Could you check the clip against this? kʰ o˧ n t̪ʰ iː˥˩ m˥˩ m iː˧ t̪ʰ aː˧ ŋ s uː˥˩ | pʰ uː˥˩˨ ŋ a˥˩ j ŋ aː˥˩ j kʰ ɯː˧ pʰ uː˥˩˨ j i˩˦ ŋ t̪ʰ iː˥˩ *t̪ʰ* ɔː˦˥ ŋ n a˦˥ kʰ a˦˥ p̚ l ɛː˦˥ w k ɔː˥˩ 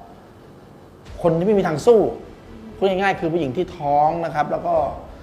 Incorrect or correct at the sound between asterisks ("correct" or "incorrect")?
correct